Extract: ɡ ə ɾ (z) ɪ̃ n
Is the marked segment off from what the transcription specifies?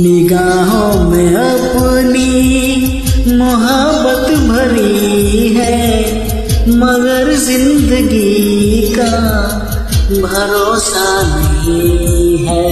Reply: no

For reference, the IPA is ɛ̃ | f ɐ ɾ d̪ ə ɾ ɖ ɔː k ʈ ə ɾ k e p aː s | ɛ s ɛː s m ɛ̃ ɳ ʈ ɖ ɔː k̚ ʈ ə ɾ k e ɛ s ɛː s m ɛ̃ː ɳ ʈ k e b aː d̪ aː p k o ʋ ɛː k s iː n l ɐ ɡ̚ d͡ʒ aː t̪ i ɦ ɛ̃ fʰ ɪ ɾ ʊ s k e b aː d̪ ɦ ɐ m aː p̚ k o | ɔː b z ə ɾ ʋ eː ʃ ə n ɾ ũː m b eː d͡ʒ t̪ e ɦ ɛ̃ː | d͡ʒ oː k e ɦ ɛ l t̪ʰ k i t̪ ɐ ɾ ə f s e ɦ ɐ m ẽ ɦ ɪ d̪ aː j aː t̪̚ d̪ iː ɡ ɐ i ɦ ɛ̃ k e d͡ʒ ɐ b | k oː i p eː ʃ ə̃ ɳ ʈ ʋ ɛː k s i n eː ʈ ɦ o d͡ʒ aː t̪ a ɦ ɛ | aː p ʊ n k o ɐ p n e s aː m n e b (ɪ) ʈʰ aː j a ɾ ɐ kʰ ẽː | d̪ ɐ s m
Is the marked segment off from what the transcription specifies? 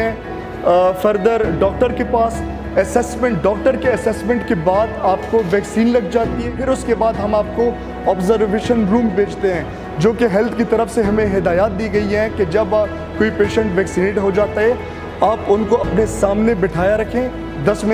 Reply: no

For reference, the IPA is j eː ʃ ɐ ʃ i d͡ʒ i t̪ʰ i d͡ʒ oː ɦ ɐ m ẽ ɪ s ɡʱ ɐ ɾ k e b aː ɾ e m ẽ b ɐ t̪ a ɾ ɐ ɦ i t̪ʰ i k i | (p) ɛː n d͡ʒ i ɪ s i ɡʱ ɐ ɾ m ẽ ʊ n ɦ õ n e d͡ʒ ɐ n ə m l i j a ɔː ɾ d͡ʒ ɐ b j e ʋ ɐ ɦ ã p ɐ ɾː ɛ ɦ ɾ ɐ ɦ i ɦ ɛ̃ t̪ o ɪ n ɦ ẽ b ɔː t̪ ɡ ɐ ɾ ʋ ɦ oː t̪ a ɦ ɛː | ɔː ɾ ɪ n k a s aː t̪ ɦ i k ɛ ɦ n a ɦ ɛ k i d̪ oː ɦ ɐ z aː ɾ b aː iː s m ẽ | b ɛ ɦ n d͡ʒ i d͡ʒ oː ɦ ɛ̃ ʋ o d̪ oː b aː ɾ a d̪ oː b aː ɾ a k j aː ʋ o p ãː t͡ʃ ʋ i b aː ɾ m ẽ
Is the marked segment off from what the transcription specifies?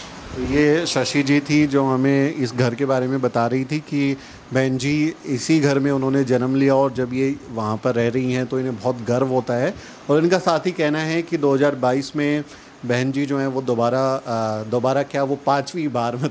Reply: yes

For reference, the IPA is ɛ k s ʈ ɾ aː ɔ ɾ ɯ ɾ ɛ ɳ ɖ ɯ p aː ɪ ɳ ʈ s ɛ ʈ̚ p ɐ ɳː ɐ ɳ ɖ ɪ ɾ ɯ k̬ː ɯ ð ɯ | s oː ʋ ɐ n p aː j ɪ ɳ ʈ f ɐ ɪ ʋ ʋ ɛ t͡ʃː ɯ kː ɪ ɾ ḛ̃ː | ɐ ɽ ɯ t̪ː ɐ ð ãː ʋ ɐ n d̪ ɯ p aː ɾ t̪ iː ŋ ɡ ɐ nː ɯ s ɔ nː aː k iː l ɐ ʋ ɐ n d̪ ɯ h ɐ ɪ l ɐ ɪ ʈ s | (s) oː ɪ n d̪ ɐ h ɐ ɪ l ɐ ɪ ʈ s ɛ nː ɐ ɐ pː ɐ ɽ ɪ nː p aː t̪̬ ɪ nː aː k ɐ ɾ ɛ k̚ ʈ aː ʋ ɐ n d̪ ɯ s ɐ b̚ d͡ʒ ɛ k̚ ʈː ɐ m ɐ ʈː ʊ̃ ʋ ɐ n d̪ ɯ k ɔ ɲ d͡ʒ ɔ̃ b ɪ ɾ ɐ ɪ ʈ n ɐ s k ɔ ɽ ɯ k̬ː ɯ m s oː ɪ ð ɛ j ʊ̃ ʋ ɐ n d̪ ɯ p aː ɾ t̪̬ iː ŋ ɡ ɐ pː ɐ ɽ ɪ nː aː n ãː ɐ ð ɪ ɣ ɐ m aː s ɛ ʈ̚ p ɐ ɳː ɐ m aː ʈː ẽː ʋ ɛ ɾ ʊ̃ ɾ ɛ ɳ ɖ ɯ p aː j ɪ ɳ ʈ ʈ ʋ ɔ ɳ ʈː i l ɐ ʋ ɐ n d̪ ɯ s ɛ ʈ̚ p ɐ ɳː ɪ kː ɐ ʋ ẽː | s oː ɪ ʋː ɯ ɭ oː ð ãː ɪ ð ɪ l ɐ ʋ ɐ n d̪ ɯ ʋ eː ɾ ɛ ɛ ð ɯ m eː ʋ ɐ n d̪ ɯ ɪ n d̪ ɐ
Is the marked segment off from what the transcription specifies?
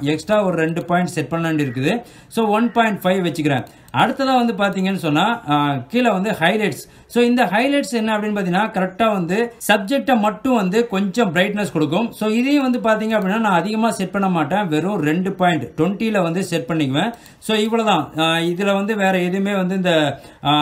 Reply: no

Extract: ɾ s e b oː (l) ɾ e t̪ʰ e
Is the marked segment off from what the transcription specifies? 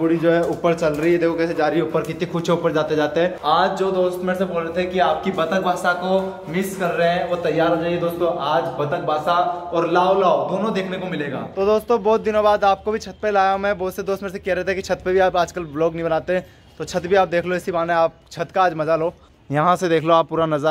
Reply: no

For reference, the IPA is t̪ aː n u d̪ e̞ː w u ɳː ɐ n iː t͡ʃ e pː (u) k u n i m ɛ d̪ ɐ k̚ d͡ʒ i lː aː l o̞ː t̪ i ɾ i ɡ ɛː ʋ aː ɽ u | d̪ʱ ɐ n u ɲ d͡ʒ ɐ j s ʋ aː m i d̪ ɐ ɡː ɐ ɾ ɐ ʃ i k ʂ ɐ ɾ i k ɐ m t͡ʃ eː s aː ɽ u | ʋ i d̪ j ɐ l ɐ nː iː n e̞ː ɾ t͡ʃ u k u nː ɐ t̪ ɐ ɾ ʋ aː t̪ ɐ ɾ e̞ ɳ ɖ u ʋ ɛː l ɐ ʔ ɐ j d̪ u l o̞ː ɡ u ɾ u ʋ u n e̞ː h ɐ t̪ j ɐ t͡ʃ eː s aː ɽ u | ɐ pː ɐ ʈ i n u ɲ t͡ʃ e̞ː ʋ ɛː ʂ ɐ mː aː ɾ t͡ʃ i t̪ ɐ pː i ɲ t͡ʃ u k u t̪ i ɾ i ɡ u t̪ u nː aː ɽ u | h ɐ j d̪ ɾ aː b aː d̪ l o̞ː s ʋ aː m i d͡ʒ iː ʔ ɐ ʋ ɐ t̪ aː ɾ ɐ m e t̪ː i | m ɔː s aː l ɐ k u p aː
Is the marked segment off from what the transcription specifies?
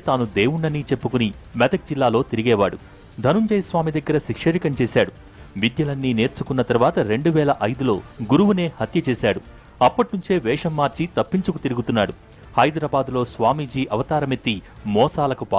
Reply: no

